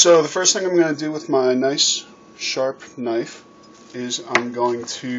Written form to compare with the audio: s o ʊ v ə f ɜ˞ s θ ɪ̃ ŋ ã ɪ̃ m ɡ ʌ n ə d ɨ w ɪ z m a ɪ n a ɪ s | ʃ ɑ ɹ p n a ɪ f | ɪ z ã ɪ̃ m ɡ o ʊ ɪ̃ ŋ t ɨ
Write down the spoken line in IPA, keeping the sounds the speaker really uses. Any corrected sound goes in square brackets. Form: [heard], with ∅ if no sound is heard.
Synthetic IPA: s o ʊ [ð] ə f ɜ˞ s θ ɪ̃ ŋ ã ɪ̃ m ɡ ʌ n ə d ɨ w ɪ [ð] m a ɪ n a ɪ s | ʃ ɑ ɹ p n a ɪ f | ɪ z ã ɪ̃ m ɡ o ʊ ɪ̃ ŋ [tʰ] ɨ